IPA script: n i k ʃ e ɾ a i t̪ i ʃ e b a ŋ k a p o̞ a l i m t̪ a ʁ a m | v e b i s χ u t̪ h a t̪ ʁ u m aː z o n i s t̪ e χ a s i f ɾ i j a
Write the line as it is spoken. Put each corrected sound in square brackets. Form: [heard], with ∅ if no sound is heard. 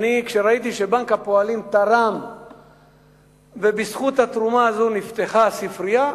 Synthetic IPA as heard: n i k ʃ e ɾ a i t̪ i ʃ e b a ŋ k a p o̞ a l i m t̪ a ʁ a m | v e b i s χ u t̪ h a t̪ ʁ u m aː z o n i [f] t̪ e χ a s i f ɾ i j a